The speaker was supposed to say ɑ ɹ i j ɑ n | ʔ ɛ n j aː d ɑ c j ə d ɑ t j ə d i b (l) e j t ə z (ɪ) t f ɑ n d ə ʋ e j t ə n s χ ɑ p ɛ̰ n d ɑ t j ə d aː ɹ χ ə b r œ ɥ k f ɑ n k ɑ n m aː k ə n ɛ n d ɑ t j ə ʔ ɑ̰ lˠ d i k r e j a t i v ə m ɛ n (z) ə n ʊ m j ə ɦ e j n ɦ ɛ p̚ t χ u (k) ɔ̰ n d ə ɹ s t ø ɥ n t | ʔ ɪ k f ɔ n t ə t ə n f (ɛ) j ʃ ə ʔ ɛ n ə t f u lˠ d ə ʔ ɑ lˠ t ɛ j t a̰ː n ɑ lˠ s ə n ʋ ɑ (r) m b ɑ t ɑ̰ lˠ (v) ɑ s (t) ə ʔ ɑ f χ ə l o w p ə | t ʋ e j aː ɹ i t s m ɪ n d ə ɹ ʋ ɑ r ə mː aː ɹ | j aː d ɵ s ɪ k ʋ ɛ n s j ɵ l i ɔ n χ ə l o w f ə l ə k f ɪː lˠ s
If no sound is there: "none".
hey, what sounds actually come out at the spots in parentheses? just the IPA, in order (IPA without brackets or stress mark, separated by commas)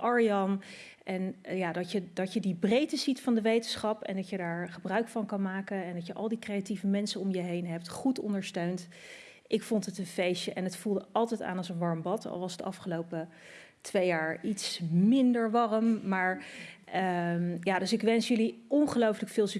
r, i, s, t, e, ɹ, ʋ, d